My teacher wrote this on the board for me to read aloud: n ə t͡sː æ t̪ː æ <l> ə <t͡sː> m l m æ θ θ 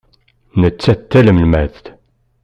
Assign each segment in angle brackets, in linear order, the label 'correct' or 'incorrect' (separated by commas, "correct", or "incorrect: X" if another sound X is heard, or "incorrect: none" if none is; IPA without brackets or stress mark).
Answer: correct, incorrect: none